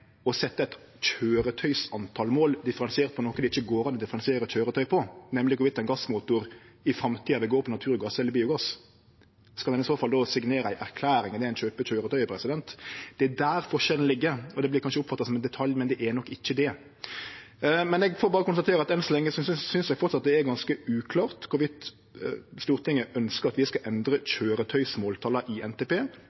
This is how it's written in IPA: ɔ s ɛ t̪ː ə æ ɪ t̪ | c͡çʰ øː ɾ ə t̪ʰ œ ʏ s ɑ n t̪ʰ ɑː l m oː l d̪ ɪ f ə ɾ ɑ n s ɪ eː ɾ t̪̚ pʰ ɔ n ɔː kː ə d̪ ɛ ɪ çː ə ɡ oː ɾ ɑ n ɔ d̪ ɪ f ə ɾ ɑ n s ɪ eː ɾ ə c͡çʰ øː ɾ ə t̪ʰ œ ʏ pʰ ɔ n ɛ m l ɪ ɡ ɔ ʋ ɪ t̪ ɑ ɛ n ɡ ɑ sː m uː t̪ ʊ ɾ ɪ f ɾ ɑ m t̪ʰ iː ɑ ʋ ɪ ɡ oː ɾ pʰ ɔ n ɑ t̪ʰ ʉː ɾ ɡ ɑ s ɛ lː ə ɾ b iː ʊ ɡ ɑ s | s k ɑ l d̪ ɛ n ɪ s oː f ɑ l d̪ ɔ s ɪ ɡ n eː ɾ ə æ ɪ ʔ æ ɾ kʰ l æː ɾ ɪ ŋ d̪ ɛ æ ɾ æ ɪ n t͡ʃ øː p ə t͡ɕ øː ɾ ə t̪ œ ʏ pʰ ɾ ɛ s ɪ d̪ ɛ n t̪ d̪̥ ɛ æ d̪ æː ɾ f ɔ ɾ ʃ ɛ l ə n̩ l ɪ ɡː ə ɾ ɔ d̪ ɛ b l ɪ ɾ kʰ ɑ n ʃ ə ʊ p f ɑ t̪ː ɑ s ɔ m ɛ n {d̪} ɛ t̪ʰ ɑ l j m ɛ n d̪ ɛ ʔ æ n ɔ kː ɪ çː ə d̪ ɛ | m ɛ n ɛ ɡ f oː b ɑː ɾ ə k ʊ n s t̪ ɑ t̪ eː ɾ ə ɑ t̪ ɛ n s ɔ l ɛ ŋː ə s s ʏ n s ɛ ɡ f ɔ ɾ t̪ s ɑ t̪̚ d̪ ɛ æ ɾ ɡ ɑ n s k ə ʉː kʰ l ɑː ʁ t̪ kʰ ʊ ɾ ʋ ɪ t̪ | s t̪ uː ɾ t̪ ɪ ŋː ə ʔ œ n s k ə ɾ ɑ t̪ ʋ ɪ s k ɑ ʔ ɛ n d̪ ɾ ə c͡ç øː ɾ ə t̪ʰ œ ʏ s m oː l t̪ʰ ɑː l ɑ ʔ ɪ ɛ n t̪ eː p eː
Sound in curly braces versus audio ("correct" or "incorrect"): correct